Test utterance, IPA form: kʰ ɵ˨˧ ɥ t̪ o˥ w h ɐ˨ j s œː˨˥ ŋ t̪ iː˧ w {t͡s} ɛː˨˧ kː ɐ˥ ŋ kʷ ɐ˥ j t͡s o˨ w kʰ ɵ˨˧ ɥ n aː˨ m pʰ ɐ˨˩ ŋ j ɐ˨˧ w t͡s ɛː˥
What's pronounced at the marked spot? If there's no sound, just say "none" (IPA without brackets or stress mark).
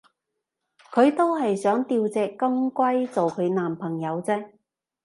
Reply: t͡s